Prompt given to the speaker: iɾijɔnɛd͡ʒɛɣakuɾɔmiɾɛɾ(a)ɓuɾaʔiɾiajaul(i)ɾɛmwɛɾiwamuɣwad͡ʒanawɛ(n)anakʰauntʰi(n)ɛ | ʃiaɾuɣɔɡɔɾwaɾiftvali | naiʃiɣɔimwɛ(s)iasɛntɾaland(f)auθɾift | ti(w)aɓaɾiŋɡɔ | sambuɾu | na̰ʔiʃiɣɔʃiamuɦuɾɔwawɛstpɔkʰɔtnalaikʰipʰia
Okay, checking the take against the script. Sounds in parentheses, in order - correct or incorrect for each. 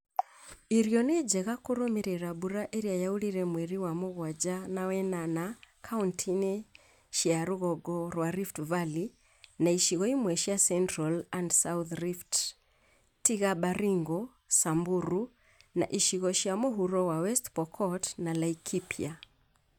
correct, correct, correct, correct, incorrect, incorrect, incorrect

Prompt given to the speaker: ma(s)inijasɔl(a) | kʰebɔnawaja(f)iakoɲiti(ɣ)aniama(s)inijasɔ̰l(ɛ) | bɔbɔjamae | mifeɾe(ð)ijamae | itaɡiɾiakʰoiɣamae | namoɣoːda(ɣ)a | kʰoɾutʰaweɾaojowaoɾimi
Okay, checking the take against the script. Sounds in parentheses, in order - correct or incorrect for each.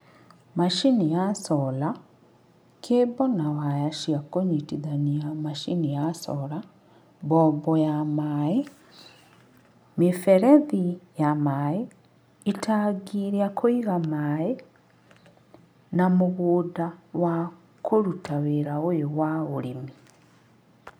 incorrect, correct, incorrect, incorrect, incorrect, incorrect, correct, incorrect

